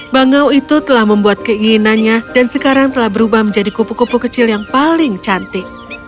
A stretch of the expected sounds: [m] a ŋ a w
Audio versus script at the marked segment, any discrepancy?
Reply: yes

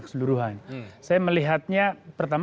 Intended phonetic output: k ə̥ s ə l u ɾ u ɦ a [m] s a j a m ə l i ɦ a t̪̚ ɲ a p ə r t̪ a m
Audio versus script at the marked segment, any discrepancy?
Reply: yes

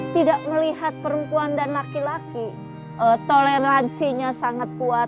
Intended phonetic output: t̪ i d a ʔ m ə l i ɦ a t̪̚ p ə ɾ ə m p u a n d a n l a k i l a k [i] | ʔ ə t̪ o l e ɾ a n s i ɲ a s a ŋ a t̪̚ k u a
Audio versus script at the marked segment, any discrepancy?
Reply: no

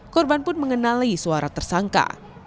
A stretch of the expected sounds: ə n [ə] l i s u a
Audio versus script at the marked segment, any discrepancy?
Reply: yes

